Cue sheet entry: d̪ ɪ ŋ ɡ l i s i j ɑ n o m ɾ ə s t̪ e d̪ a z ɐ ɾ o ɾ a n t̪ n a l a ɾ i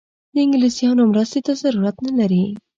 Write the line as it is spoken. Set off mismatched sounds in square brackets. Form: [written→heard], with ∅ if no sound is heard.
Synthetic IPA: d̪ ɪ ŋ ɡ l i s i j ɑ n o m ɾ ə s t̪ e [d̪→t̪] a z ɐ ɾ [o→u] ɾ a [n→∅] t̪ n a l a ɾ i